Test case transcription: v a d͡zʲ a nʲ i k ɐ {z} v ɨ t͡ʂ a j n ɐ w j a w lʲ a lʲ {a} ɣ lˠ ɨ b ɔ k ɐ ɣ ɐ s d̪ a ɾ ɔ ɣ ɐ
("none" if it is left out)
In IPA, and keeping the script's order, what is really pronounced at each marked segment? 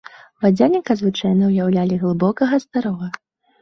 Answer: z, i

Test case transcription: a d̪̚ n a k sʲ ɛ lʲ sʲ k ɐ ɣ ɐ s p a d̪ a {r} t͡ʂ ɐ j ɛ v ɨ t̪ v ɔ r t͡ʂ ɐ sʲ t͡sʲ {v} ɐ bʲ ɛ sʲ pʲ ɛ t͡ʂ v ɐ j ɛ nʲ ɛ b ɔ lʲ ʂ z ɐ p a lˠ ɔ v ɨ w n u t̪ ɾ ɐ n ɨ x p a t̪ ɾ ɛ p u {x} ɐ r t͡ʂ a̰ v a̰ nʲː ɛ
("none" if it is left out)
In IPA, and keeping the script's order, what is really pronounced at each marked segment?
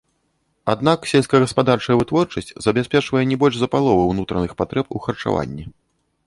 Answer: r, z, x

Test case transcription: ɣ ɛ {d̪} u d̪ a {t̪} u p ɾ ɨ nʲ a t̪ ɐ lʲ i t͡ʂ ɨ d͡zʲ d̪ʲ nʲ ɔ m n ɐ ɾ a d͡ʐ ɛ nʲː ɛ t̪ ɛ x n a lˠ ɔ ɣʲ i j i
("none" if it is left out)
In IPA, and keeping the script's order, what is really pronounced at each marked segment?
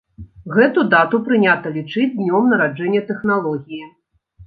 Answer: t̪, t̪

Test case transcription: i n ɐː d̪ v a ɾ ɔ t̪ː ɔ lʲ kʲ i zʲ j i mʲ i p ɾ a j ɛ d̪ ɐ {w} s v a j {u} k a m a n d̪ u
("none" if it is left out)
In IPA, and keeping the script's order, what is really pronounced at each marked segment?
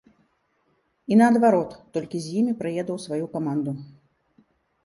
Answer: w, u

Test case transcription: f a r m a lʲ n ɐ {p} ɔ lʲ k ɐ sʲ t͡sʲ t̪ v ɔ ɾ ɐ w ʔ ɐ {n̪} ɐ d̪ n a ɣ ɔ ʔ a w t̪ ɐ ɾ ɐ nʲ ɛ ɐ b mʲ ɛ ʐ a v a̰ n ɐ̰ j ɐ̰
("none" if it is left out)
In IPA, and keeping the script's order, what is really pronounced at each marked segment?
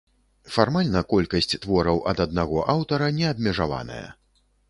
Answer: k, d̪

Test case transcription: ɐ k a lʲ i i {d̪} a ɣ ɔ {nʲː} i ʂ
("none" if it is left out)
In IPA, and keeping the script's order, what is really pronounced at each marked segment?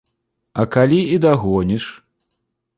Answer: d̪, nʲ

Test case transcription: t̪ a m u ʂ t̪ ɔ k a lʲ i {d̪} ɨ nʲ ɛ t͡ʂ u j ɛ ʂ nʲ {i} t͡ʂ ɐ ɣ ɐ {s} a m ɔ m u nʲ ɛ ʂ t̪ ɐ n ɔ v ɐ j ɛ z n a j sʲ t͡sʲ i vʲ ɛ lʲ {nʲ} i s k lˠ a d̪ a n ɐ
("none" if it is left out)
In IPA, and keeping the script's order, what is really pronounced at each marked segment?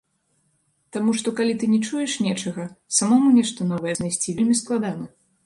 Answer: t̪, ɛ, s, mʲ

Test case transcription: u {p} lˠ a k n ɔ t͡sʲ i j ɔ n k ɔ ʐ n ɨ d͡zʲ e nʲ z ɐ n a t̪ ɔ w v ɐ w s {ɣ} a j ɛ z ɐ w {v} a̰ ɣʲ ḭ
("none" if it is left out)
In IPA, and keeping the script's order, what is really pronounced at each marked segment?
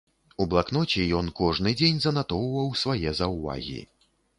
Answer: b, v, v

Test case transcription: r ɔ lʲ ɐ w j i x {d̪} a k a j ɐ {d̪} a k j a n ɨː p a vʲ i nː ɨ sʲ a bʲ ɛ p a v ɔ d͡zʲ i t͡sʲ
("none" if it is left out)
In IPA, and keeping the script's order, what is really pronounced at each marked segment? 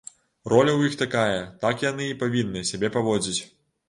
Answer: t̪, t̪

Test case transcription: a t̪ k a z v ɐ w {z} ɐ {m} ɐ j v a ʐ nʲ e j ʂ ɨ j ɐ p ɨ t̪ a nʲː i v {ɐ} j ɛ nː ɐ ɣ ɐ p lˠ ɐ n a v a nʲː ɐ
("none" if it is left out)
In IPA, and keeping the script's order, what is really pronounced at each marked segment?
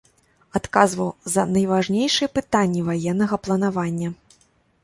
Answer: z, n, a

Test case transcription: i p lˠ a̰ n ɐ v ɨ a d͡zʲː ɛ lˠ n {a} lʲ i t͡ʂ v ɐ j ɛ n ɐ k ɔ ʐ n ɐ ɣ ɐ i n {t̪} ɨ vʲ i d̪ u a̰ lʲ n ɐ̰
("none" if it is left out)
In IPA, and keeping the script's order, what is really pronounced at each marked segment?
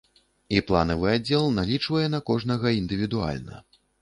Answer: a, d̪

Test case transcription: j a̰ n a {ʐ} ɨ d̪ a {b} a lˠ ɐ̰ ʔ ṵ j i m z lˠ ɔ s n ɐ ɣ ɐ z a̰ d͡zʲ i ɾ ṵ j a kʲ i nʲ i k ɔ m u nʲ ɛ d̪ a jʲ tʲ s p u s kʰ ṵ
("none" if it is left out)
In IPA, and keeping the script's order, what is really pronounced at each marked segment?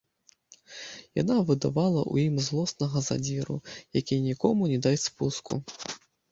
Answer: v, v

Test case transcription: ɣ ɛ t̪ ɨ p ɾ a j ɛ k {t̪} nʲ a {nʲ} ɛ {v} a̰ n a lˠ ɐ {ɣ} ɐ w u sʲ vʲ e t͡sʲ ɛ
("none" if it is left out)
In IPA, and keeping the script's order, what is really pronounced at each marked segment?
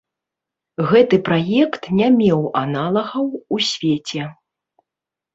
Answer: t̪, mʲ, w, ɣ

